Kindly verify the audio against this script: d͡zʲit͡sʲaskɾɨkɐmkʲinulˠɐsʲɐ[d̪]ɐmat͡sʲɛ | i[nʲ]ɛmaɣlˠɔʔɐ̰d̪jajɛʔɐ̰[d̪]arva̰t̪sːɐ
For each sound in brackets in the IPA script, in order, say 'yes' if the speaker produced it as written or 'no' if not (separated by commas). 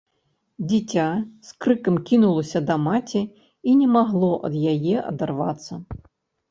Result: yes, yes, yes